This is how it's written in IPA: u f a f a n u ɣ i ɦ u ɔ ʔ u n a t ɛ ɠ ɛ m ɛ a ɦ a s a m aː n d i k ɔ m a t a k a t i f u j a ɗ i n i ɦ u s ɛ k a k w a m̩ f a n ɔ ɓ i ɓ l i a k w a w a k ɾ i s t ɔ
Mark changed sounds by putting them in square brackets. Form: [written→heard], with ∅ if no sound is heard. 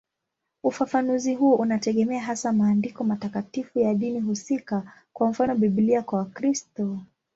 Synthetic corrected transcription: u f a f a n u [ɣ→z] i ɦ u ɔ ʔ u n a t ɛ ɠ ɛ m ɛ a ɦ a s a m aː n d i k ɔ m a t a k a t i f u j a ɗ i n i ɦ u s [ɛ→i] k a k w a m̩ f a n ɔ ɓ i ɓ l i a k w a w a k ɾ i s t ɔ

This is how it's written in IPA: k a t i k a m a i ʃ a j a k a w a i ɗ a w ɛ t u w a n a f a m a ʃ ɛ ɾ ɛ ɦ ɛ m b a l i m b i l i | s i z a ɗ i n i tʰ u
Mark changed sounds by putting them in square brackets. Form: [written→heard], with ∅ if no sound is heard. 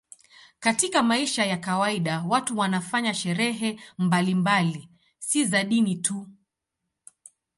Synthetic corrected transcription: k a t i k a m a i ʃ a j a k a w a i ɗ a w [ɛ→a] t u w a n a f a [m→ɲ] a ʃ ɛ ɾ ɛ ɦ ɛ m b a l i m b [i→a] l i | s i z a ɗ i n i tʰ u

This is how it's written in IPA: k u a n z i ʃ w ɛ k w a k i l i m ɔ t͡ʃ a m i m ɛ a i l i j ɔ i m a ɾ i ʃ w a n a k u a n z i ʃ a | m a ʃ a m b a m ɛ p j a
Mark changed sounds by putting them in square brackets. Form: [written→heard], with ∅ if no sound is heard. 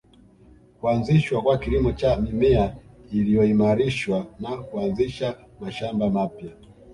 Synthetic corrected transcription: k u a n z i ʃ w [ɛ→a] k w a k i l i m ɔ t͡ʃ a m i m ɛ a i l i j ɔ i m a ɾ i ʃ w a n a k u a n z i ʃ a | m a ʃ a m b a m [ɛ→a] p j a

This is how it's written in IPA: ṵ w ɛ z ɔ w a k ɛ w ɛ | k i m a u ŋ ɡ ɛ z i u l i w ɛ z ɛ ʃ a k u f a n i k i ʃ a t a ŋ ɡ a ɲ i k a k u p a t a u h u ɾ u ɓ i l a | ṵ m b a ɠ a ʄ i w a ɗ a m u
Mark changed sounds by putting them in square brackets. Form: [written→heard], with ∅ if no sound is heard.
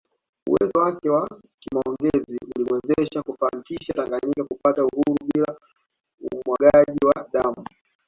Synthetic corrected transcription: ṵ w ɛ z ɔ w a k ɛ w [ɛ→a] | k i m a [u→ɔ] ŋ ɡ ɛ z i u l i w ɛ z ɛ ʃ a k u f a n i k i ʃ a t a ŋ ɡ a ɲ i k a k u p a t a u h u ɾ u ɓ i l a | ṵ m [b→w] a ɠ a ʄ i w a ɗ a m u

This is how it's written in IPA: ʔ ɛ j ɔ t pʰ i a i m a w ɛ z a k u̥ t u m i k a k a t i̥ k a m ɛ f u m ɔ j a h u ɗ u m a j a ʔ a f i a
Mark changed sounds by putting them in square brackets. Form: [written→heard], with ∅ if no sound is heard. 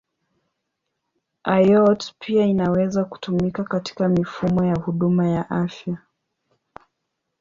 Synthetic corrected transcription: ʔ [ɛ→a] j ɔ t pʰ i a i [m→n] a w ɛ z a k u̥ t u m i k a k a t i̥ k a m [ɛ→i] f u m ɔ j a h u ɗ u m a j a ʔ a f [i→j] a

